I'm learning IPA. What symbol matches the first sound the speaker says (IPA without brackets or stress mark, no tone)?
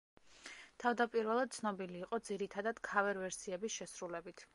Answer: t̪ʰ